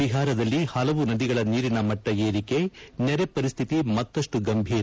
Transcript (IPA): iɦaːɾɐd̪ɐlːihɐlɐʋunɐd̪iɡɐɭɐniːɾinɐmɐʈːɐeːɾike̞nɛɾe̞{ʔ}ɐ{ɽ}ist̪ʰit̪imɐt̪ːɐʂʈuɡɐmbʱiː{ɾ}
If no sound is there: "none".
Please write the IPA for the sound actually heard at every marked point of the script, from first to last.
p, ɾ, ɾ

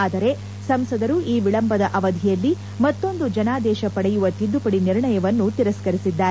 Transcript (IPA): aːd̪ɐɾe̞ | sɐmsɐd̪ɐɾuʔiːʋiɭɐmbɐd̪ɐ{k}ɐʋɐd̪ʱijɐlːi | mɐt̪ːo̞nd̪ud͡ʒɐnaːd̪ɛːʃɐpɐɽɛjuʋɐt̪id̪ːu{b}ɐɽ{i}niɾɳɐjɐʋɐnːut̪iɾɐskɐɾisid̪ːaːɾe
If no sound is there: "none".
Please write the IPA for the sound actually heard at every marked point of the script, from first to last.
ʔ, p, i

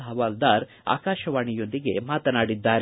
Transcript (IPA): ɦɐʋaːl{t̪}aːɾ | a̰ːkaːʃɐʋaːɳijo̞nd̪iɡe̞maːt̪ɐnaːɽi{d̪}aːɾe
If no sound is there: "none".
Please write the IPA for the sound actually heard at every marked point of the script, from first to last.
d̪, d̪ː

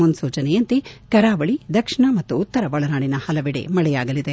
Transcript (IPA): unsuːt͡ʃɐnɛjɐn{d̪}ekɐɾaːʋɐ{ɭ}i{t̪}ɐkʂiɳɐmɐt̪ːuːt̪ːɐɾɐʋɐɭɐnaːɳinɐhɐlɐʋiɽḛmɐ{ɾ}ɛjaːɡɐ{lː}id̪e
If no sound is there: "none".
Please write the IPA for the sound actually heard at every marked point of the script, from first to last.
t̪, ɭ, d̪, ɭ, l

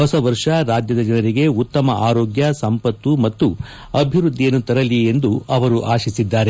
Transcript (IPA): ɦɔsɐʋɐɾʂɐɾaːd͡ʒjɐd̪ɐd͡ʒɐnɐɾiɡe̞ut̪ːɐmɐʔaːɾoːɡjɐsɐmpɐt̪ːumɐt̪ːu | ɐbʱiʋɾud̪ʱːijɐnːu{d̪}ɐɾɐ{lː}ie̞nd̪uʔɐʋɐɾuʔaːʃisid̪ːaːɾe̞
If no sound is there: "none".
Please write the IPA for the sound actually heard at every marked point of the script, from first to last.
t̪, l

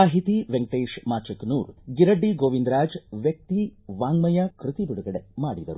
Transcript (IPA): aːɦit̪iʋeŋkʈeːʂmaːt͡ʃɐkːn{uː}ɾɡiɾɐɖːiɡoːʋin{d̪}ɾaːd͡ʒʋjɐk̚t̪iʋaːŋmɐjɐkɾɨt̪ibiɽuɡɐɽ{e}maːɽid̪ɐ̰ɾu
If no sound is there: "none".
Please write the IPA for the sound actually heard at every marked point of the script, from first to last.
uː, d̪, e

